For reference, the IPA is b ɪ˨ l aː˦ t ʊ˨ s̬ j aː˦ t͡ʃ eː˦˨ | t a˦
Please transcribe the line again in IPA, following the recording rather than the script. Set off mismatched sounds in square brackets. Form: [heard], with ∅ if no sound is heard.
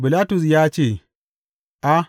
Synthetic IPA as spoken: b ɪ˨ l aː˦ t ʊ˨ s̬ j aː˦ t͡ʃ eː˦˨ | [ʔ] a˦

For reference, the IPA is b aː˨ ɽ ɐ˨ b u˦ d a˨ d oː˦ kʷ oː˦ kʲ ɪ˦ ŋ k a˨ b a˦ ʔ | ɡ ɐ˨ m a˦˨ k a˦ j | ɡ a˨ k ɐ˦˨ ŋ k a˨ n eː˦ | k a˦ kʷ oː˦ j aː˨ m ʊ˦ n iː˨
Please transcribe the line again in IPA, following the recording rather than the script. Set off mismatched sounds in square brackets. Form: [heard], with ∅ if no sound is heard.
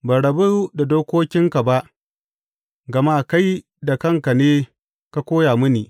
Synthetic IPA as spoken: b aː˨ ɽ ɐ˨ b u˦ d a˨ d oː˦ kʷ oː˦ kʲ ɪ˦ ŋ k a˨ b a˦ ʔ | ɡ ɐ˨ m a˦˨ k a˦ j | [d] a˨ k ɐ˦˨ ŋ k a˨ n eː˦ | k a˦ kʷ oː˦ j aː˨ m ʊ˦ n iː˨

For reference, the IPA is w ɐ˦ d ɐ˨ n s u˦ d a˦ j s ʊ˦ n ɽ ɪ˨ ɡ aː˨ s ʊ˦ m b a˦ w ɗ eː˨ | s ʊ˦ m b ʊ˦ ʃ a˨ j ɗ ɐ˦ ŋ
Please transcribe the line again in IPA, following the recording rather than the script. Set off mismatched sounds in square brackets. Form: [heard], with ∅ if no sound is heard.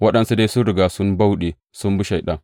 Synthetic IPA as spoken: w ɐ˦ [ɗ] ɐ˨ n s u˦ d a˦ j s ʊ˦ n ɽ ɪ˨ ɡ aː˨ s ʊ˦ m b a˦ w ɗ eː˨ | s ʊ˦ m b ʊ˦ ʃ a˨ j ɗ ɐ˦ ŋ

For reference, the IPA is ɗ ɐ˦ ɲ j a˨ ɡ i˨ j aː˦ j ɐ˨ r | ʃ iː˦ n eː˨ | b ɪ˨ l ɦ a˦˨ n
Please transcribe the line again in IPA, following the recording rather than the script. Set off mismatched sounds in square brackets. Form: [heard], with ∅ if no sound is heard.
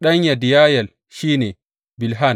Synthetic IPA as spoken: ɗ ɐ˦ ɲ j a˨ [d] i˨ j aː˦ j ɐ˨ [l] | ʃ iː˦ n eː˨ | b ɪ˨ l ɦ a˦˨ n

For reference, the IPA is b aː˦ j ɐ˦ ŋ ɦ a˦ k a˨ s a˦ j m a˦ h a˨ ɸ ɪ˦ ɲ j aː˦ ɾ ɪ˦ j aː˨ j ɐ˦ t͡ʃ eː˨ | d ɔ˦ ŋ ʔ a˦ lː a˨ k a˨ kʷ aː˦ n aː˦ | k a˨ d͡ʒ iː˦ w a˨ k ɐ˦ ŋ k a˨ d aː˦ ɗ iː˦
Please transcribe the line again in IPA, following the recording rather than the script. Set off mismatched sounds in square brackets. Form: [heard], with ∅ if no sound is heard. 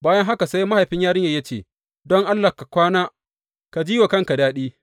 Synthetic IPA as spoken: b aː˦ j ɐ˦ ŋ ɦ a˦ k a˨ s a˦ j m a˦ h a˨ ɸ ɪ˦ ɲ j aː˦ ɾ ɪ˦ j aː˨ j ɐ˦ t͡ʃ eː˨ | d ɔ˦ ŋ ʔ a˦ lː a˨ k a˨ kʷ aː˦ n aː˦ | k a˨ d͡ʒ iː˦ w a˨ k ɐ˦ ŋ k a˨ d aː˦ ɗ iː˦

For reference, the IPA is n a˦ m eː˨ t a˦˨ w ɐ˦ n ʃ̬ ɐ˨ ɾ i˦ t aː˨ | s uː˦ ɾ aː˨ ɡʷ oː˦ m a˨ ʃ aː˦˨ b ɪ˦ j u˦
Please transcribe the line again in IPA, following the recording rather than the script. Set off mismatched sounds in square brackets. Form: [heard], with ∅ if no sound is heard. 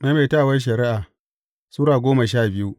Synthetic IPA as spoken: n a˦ m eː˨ t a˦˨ w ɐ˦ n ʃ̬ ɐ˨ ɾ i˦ [ʔ] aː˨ | s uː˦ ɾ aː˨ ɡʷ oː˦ m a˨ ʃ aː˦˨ b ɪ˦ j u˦

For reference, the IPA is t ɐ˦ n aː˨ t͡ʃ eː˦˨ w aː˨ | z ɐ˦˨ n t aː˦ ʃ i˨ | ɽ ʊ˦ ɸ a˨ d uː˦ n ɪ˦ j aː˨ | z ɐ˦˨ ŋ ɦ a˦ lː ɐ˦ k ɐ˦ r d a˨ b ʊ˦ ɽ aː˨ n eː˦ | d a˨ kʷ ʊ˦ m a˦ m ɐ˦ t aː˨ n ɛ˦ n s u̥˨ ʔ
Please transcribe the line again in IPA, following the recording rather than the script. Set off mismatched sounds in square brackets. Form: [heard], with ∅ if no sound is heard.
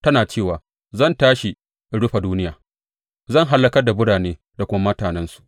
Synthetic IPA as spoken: t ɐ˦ n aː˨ t͡ʃ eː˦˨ w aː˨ | z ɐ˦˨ n t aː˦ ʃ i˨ | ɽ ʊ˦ ɸ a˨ d uː˦ n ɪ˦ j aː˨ | z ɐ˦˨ ŋ ɦ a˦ lː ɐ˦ k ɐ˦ r d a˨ b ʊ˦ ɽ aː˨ n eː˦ | d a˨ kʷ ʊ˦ m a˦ m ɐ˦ t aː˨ n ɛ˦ n s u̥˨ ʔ

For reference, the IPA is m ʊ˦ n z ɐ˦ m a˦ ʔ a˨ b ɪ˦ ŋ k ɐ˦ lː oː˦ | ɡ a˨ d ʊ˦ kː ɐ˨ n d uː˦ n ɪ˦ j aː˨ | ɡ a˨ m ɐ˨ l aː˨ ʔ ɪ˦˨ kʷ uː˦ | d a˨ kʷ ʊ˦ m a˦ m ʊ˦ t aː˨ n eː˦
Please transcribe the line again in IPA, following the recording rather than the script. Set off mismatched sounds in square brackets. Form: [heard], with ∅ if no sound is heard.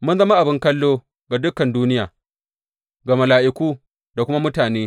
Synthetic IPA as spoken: m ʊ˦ n z ɐ˦ m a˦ ʔ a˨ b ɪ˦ ŋ k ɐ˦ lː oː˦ | ɡ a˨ d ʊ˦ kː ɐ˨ n d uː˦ n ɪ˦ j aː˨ | ɡ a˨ m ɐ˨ l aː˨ ʔ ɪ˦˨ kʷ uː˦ | d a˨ kʷ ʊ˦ m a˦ m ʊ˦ t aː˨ n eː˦

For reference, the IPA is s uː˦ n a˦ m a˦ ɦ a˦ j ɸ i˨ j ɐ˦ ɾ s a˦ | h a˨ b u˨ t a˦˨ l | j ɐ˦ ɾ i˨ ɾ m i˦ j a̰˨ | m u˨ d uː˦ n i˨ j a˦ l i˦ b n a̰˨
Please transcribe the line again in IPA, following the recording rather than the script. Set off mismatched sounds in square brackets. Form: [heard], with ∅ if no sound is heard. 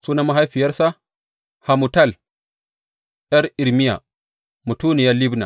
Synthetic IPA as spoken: s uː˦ n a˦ m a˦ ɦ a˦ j ɸ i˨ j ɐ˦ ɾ s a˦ | h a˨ [m] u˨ t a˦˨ l | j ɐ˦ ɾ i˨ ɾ m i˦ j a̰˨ | m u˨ [t] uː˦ n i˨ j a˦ l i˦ b n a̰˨

